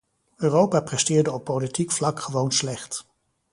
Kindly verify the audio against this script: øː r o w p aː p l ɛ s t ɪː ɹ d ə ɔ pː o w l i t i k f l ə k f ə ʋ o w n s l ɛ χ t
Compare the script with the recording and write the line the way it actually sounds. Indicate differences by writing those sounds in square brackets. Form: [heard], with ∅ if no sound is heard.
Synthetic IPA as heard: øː r o w p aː p [r] ɛ s t ɪː ɹ d ə ɔ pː o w l i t i k f l [ɑ] k [χ] ə ʋ o w n s l ɛ χ t

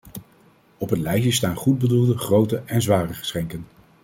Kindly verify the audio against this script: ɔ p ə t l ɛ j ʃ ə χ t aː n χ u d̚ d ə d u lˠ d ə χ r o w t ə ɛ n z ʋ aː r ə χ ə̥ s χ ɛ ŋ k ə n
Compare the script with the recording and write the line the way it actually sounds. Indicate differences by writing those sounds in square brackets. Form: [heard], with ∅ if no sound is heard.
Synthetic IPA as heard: ɔ p ə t l ɛ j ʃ ə [s] t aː n χ u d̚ [b] ə d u lˠ d ə χ r o w t ə ɛ n z ʋ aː r ə χ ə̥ s χ ɛ ŋ k ə n

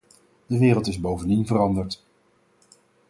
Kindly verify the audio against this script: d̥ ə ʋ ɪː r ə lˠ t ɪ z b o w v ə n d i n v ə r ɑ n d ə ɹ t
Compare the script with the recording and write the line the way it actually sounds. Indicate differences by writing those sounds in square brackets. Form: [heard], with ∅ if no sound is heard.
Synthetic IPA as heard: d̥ ə ʋ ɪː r ə lˠ t ɪ z b o w v ə n d i n v ə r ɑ n d ə ɹ t

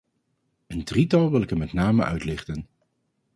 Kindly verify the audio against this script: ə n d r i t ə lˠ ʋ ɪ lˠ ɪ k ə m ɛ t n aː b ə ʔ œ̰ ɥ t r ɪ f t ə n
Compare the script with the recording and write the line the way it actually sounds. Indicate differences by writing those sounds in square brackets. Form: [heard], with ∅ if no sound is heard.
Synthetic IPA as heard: ə n d r i t [ɑ] lˠ ʋ ɪ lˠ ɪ k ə m ɛ t n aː [m] ə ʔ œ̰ ɥ t [l] ɪ [χ] t ə n

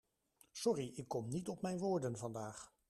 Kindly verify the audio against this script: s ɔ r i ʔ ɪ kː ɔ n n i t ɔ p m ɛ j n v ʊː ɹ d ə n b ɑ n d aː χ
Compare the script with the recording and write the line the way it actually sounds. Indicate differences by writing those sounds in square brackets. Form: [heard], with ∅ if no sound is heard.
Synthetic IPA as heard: s ɔ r i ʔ ɪ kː ɔ [m] n i t ɔ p m ɛ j n [ʋ] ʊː ɹ d ə n [v] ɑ n d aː χ

